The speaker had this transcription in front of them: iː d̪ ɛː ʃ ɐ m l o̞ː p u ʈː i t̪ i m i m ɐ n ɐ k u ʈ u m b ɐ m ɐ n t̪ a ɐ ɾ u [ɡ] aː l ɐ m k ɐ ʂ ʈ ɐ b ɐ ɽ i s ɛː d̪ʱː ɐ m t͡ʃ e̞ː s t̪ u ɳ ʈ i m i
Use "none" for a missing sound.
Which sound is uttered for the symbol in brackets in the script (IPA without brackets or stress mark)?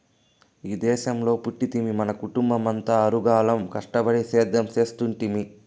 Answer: ɡ